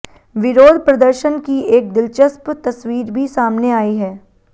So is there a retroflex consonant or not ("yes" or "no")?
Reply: no